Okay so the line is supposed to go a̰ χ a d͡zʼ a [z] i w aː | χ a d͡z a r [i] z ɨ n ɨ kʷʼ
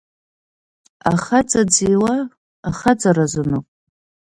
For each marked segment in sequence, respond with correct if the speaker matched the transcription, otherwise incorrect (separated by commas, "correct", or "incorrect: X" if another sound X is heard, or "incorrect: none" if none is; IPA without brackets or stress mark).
incorrect: d͡z, incorrect: a